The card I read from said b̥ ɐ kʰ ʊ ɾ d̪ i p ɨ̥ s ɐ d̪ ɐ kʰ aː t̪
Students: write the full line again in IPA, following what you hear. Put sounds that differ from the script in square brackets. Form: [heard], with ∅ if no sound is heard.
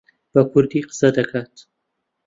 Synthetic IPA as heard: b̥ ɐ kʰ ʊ ɾ d̪ i [q] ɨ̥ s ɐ d̪ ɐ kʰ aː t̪